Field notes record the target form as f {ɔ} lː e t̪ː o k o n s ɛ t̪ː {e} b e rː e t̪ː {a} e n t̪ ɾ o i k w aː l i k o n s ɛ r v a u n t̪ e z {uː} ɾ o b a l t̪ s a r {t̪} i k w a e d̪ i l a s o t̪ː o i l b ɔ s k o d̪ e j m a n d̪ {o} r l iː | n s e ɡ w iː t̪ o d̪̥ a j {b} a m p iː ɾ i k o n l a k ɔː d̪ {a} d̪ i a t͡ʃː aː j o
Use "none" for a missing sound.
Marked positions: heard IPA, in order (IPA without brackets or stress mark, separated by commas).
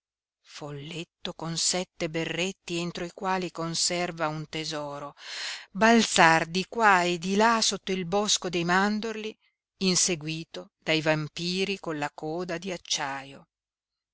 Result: o, e, i, ɔː, d̪, o, v, a